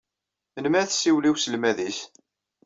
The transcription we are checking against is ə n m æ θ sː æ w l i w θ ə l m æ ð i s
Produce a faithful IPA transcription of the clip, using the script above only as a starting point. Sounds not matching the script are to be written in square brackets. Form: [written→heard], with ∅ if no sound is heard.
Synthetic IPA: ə n m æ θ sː [æ→i] w l i w [θ→s] ə l m æ ð i s

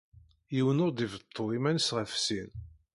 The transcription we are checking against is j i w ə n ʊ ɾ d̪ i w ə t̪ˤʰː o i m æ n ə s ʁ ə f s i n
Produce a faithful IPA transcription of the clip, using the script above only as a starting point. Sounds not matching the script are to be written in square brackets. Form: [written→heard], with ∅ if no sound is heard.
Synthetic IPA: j i w ə n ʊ ɾ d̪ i [w→v] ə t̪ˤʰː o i m æ n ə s ʁ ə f s i n

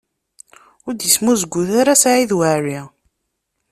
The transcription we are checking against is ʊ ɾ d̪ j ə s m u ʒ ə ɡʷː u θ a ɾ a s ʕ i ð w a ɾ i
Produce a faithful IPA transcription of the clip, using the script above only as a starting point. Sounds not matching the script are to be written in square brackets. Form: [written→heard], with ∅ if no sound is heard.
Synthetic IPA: ʊ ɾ d̪ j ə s m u [ʒ→z] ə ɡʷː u θ a ɾ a s ʕ i ð w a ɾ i

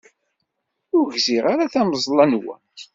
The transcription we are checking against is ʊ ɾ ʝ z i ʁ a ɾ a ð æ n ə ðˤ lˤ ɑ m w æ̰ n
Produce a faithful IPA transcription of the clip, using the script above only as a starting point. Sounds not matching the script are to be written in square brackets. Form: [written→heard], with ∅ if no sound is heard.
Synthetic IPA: ʊ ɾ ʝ z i ʁ a ɾ a [ð→θ] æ [n→m] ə [ðˤ→zˤ] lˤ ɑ [m→n] w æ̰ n

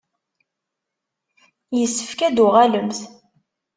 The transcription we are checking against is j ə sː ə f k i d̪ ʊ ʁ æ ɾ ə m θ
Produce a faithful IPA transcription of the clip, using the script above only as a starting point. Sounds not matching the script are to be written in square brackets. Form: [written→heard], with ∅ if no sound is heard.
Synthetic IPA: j ə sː ə f k [i→æ] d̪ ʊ ʁ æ [ɾ→l] ə m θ

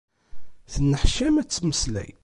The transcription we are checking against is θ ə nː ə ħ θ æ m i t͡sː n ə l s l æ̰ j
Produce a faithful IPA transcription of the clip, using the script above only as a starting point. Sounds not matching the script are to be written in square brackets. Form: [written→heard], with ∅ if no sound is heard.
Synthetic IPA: θ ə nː ə ħ [θ→ʃ] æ m [i→æ] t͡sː [n→m] ə [l→∅] s l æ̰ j

